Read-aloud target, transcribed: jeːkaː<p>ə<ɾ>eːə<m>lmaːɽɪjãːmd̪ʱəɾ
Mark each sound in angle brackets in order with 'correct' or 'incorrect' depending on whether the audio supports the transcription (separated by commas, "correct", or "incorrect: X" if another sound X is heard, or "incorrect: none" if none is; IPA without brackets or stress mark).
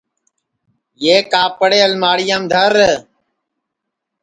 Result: correct, incorrect: ɽ, incorrect: none